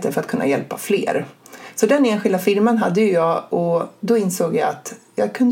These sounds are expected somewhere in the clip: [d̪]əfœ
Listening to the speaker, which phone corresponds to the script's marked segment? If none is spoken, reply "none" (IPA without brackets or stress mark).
t̪